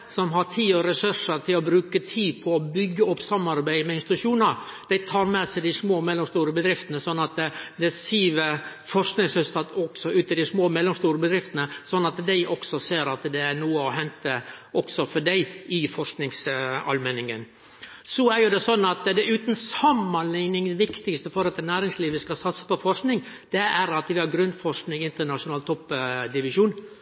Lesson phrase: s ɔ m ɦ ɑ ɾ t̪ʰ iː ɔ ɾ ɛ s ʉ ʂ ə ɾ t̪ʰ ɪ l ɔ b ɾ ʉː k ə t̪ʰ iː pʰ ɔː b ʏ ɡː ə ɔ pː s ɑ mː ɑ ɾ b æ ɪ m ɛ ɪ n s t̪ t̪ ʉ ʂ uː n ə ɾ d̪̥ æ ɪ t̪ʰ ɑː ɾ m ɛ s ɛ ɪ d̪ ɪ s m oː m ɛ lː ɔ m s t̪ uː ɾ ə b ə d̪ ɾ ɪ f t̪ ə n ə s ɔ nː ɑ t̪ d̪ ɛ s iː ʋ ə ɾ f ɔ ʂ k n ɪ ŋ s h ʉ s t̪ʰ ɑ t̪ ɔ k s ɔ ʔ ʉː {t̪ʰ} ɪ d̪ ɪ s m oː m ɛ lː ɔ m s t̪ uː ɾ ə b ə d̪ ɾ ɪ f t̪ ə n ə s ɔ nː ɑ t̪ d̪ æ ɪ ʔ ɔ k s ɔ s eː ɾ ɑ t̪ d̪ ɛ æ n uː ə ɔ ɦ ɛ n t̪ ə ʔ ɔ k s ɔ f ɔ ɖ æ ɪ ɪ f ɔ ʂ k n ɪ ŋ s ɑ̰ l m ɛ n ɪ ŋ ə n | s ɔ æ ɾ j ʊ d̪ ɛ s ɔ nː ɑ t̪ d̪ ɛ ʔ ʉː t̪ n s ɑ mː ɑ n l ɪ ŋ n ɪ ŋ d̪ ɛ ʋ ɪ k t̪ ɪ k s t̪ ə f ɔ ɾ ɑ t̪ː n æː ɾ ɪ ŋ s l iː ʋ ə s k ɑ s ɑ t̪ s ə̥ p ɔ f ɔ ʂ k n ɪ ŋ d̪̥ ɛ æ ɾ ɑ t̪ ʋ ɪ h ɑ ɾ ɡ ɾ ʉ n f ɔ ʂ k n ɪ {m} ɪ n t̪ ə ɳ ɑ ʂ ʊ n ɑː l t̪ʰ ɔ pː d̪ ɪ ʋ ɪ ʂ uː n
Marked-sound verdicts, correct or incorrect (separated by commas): incorrect, incorrect